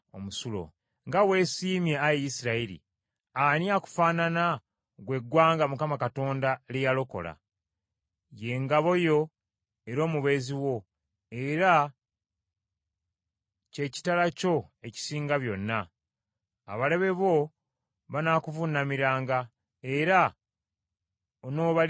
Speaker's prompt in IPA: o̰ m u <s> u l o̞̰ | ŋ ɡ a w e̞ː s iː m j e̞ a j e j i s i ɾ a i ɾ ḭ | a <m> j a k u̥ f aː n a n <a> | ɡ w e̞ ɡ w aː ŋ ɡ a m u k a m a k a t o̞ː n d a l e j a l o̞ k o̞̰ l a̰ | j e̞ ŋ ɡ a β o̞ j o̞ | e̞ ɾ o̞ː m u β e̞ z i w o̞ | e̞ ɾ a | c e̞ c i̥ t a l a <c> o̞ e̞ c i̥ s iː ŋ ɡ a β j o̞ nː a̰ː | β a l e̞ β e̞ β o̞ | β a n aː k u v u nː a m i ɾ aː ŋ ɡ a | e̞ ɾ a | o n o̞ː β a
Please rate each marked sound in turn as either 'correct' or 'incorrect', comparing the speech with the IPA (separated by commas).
correct, incorrect, correct, correct